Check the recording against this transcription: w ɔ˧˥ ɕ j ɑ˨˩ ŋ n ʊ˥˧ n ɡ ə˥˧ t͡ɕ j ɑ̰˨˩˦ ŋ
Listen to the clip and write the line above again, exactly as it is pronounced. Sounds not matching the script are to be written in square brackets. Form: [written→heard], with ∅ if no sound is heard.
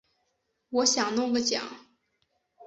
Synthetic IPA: w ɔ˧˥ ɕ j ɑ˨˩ ŋ n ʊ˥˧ [n→ŋ] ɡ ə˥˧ t͡ɕ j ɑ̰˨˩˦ ŋ